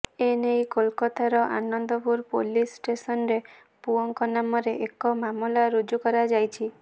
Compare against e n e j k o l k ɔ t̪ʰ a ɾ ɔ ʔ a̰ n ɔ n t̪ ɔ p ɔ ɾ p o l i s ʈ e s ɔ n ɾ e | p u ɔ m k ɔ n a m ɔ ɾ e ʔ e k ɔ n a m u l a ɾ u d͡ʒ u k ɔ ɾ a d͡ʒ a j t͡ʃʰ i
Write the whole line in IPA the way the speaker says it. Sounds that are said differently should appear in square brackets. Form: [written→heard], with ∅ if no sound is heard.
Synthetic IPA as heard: e n e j k o l k ɔ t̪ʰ a ɾ ɔ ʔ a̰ n ɔ n [t̪→d̪] ɔ p [ɔ→u] ɾ p o l i s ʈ e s ɔ n ɾ e | p u ɔ [m→ŋ] k ɔ n a m ɔ ɾ e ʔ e k ɔ [n→m] a m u l a ɾ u d͡ʒ u k ɔ ɾ a d͡ʒ a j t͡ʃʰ i